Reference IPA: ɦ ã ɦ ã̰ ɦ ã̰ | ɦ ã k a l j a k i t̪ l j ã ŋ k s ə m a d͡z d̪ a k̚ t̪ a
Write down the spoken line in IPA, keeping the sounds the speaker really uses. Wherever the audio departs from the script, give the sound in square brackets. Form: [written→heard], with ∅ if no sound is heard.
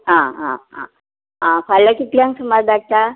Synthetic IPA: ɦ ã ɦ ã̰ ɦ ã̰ | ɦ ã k a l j a k i t̪ l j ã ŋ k s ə m a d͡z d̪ a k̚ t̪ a